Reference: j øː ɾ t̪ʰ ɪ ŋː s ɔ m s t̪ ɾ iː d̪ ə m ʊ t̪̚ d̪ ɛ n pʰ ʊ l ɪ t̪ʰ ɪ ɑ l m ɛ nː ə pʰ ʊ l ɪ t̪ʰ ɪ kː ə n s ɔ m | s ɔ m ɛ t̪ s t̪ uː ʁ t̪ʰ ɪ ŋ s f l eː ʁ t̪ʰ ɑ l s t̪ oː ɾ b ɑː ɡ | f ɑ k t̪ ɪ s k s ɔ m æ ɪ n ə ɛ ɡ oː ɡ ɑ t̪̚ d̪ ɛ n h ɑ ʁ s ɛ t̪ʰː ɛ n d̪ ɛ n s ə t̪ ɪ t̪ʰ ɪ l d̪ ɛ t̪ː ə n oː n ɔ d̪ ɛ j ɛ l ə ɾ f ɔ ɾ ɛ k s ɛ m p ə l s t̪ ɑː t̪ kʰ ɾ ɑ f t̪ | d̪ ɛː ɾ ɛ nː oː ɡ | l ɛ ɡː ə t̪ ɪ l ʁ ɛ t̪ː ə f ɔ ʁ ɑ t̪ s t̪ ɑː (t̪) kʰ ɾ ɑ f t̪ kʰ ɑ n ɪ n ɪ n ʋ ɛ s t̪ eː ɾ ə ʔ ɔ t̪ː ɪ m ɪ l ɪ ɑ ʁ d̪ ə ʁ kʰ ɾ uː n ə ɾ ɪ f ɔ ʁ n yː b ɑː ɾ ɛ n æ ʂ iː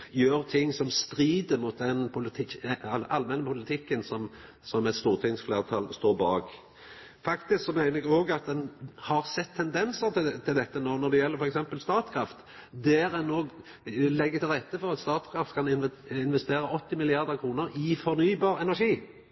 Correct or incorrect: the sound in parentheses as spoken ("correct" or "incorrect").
correct